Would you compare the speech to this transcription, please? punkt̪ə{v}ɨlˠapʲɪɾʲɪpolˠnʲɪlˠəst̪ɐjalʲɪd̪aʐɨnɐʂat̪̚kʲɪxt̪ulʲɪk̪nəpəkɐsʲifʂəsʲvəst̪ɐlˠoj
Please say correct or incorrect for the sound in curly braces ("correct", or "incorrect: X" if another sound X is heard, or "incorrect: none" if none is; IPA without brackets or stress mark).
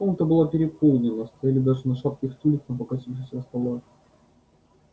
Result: incorrect: b